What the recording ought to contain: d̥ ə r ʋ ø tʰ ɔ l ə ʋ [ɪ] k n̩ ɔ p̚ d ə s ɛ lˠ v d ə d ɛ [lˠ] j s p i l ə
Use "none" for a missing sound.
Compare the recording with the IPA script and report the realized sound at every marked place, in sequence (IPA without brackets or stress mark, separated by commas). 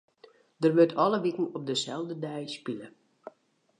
i, none